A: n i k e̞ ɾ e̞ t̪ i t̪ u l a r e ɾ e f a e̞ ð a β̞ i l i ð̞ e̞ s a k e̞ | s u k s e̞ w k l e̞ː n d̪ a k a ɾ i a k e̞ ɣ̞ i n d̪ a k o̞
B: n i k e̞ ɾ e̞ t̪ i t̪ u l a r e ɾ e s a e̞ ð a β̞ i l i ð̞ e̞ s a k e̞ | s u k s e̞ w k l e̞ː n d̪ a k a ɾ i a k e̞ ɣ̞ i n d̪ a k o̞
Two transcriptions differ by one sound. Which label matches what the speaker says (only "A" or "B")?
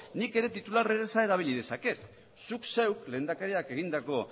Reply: B